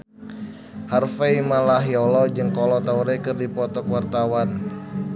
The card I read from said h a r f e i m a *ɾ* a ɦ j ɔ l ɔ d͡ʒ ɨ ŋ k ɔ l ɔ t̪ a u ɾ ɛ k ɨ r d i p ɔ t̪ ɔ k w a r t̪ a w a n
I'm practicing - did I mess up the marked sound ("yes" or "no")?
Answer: yes